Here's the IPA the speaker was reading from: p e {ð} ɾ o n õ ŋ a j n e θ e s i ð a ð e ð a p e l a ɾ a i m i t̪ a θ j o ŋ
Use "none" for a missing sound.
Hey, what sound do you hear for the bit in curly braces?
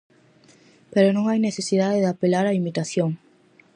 none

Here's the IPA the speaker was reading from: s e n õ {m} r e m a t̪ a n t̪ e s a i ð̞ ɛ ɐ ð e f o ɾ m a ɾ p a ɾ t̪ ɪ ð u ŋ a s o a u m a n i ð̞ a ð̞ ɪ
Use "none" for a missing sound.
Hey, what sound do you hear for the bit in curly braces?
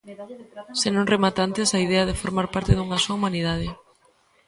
ŋ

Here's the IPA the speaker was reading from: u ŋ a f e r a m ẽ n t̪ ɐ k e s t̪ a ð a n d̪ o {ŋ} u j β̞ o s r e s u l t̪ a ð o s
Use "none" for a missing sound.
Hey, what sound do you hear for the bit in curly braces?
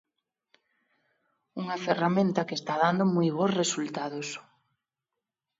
m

